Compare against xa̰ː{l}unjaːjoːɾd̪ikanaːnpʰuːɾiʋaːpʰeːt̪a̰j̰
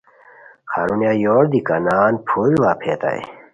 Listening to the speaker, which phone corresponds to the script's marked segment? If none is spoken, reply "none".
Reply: ɾ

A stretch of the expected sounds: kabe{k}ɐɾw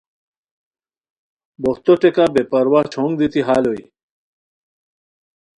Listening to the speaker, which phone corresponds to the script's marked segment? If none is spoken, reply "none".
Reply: p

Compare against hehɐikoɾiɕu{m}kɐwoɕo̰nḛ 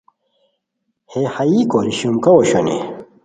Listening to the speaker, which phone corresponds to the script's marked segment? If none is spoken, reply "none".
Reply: m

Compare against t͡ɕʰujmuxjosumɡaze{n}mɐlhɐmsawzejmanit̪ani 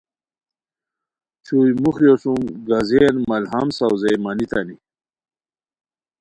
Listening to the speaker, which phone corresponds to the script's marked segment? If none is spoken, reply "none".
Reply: n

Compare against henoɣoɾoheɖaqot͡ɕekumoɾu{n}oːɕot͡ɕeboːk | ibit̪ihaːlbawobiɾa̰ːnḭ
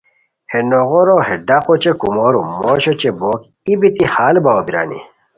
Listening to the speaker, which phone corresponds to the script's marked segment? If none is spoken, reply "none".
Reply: m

